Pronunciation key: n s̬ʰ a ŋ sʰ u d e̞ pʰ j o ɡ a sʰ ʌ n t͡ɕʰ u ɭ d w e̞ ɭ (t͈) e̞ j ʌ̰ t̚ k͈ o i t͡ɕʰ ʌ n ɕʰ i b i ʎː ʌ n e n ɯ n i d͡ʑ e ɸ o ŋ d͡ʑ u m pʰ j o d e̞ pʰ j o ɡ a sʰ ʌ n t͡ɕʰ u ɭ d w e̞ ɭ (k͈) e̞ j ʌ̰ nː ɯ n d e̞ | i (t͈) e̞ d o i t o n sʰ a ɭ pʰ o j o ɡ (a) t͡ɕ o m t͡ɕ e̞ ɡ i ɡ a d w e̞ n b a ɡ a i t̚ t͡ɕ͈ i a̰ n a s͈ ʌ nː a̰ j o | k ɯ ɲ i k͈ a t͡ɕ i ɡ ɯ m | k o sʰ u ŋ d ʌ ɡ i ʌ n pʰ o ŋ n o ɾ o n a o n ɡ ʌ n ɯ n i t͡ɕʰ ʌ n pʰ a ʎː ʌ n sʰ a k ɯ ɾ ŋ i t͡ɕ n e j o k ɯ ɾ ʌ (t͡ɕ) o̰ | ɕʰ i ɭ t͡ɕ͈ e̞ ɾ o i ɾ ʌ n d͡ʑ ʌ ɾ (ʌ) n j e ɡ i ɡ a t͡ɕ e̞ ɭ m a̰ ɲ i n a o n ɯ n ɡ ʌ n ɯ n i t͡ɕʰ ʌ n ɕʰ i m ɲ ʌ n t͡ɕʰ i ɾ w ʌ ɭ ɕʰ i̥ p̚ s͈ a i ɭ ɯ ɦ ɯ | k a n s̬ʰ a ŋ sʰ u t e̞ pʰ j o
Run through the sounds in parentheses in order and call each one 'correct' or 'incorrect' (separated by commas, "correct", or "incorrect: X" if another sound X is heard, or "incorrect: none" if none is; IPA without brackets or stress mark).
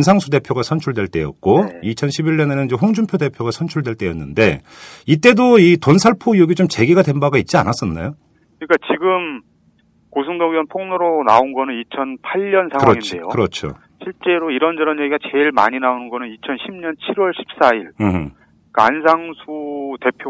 correct, incorrect: t͈, correct, incorrect: i, incorrect: t͡ɕʰ, correct